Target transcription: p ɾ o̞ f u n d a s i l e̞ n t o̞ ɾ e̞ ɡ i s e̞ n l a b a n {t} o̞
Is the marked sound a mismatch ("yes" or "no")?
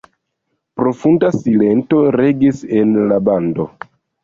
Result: yes